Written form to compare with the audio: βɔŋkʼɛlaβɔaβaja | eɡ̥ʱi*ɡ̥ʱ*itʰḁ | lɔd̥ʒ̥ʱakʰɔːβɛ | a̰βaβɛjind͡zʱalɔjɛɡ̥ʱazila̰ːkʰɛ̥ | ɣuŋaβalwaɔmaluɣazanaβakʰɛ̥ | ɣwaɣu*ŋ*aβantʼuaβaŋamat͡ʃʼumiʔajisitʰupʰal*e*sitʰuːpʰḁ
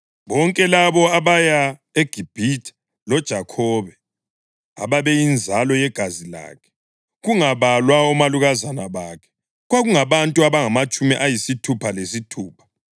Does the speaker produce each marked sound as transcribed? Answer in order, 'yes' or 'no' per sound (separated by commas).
no, yes, yes